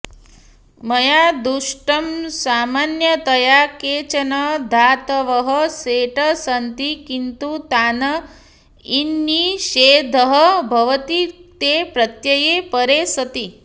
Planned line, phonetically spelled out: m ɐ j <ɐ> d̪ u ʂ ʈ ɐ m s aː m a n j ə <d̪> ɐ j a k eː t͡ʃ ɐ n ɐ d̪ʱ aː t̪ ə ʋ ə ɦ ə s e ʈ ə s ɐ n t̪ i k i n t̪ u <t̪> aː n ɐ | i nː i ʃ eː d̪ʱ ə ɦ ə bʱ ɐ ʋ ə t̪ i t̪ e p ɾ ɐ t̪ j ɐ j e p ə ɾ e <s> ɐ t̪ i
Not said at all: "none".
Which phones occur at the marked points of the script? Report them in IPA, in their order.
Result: a, t̪, t̪, s

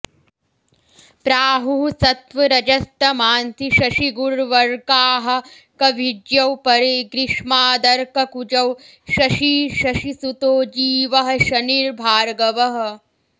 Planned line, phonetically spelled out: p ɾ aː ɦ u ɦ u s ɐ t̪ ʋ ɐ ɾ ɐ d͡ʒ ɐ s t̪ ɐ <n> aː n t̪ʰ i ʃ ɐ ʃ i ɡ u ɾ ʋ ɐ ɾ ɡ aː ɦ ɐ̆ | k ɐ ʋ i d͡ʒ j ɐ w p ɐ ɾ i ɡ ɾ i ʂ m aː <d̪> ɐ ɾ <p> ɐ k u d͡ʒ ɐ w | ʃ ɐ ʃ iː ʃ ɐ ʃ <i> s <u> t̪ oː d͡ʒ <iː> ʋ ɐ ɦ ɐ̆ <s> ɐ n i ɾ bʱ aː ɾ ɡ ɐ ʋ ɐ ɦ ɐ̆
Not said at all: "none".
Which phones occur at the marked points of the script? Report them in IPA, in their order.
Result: m, d̪, k, i, u, iː, ʃ

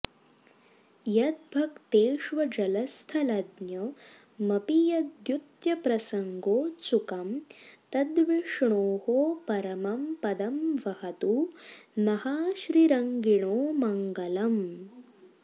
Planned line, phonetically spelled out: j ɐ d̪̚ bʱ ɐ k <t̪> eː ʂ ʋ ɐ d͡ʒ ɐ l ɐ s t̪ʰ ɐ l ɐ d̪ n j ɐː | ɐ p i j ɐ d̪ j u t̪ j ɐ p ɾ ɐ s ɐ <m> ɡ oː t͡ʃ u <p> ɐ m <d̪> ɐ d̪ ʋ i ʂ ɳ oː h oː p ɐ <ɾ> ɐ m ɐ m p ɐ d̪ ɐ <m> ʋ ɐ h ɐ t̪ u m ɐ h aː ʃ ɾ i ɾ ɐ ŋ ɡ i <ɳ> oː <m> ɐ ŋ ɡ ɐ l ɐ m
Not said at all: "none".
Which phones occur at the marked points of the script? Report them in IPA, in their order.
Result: t̪, ŋ, k, t̪, ɾ, m, ɳ, m

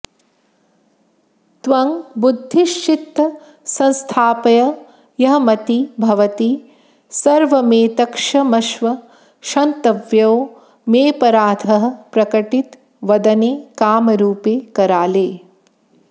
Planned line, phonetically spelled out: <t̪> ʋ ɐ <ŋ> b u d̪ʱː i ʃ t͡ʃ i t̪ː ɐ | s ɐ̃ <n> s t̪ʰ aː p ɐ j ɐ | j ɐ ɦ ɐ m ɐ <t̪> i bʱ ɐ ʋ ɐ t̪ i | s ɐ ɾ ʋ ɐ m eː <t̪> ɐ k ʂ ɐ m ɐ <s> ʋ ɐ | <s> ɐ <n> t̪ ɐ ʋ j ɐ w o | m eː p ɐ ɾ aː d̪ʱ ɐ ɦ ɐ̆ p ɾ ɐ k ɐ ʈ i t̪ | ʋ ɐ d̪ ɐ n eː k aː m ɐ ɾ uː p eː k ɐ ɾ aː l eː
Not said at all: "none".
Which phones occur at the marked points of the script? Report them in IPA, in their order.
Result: t̪, ŋ, n, t̪, t̪, ʃ, ʃ, n

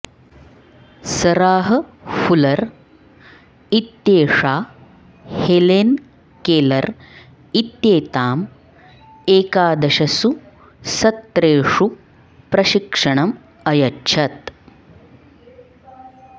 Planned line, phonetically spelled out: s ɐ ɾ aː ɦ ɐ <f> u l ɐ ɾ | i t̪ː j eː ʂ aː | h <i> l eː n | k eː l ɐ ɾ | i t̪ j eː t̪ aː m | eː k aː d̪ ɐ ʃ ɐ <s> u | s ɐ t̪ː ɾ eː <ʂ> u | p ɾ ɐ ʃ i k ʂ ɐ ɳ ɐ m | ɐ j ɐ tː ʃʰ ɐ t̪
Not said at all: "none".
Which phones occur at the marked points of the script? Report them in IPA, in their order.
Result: f, e, s, ʂ

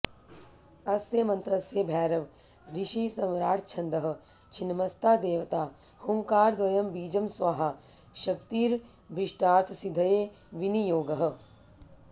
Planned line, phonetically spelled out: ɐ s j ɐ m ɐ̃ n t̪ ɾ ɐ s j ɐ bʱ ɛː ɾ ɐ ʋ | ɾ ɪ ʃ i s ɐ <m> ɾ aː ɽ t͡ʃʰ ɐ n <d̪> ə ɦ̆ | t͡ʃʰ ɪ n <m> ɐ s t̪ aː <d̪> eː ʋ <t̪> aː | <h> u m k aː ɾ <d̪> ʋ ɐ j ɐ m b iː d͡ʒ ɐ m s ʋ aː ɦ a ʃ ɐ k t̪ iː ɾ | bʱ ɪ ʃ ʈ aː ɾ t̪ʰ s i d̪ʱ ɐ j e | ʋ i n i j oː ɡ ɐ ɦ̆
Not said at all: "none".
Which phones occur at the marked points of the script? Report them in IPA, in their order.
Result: m, d̪, m, d̪, t̪, h, d̪

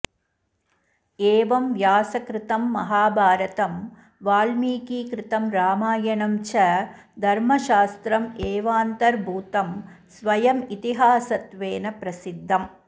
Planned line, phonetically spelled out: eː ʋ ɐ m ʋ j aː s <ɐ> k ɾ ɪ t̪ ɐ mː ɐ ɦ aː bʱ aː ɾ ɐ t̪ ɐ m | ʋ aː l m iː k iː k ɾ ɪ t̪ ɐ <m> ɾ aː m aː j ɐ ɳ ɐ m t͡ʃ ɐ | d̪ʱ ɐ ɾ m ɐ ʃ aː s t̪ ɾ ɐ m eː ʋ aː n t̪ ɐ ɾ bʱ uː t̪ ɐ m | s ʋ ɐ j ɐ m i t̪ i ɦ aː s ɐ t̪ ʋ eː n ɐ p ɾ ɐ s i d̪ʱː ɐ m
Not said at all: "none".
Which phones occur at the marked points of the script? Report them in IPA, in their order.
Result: ɐ, m

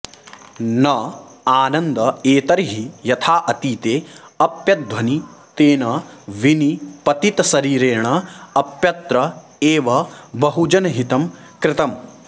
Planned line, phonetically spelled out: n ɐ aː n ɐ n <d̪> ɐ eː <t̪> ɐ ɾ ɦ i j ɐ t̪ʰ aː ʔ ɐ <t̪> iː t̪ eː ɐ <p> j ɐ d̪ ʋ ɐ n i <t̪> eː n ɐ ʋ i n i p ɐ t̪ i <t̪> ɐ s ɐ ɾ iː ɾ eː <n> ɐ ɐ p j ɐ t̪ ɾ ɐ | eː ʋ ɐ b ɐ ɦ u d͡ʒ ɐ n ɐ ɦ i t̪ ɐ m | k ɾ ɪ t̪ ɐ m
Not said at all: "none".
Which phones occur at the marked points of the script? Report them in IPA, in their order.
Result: d̪, t̪, t̪, p, t̪, t̪, ɳ

